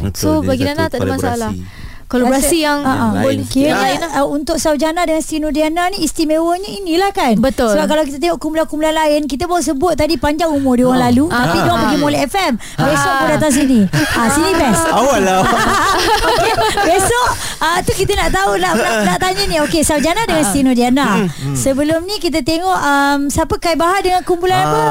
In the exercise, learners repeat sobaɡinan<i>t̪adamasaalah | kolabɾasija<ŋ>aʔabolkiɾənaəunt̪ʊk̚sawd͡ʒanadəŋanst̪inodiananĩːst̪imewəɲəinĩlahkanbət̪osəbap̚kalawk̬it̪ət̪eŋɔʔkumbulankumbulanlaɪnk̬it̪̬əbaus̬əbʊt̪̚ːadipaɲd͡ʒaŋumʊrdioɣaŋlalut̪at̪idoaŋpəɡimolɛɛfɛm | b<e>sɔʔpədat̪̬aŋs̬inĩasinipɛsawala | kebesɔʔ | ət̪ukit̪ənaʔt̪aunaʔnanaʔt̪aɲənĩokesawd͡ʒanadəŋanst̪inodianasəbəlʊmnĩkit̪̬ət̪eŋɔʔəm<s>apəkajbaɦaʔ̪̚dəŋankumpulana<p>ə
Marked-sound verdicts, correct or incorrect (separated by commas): incorrect, correct, correct, correct, correct